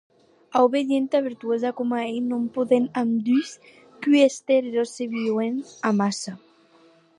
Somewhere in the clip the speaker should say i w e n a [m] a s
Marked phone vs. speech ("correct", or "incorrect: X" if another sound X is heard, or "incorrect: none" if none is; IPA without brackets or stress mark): correct